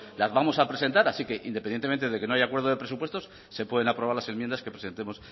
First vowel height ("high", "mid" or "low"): low